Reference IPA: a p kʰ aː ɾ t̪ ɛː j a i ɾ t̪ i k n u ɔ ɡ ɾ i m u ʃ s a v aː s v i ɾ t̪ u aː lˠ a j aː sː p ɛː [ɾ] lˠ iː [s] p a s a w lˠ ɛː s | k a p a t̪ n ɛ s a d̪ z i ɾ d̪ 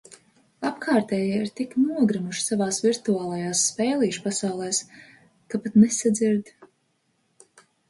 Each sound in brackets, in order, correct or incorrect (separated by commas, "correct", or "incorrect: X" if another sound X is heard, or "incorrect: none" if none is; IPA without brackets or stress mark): incorrect: none, incorrect: ʃ